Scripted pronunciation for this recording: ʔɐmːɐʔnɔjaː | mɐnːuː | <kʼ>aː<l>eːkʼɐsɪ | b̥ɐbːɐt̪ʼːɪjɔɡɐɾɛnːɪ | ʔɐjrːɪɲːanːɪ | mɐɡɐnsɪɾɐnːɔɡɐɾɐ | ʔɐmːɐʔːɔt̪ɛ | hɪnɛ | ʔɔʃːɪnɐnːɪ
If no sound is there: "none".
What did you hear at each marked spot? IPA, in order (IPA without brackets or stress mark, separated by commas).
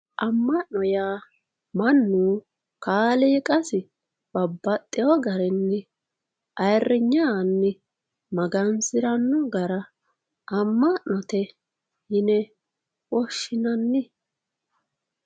k, l